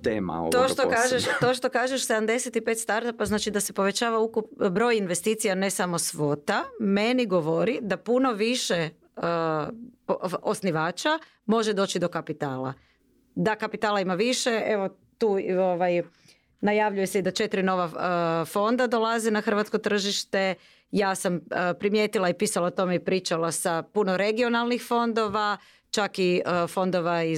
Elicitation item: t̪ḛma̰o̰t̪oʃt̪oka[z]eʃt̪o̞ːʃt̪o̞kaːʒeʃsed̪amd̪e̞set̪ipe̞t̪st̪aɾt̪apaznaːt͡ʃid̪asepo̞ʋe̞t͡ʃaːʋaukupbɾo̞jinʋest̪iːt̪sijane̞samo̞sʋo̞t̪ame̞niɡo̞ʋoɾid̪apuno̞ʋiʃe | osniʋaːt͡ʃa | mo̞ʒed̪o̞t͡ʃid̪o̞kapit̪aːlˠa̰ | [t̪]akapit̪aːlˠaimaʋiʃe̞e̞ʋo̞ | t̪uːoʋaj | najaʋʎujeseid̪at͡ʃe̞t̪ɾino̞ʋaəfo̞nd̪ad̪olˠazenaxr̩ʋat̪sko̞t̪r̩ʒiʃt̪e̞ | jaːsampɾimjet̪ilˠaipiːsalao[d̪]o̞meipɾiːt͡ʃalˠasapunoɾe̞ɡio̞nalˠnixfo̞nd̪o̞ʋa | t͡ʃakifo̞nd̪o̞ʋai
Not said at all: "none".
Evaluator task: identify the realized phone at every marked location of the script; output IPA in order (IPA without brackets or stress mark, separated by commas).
ʒ, d̪, t̪